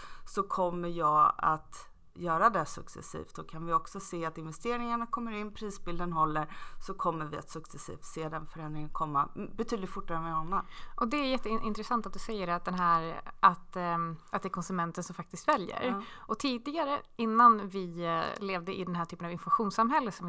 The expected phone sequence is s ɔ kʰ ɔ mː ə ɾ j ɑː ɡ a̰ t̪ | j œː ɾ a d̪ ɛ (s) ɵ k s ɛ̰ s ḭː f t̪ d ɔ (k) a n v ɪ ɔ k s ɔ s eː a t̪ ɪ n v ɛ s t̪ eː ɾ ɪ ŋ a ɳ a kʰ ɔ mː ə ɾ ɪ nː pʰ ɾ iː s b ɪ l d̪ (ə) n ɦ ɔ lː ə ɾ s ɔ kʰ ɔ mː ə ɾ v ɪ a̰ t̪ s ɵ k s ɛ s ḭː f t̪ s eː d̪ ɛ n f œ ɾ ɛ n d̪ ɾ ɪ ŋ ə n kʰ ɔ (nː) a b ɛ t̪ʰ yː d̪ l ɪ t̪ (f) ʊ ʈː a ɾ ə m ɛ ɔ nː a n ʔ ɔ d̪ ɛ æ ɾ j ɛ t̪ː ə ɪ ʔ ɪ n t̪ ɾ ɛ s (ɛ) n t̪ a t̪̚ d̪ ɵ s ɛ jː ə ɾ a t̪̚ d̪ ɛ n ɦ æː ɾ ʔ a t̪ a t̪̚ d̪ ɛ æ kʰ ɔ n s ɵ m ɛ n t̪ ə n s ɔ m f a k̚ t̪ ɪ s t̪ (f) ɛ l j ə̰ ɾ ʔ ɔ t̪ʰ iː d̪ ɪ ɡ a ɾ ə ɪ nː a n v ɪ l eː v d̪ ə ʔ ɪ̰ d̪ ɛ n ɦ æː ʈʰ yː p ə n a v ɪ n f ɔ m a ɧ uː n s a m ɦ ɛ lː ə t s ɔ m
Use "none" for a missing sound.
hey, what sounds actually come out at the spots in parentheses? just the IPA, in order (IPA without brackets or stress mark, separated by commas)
s, kʰ, ə, mː, f, a, v